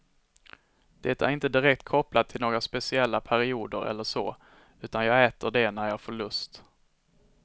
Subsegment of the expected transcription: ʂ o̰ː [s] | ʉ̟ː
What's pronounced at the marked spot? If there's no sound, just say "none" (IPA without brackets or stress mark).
none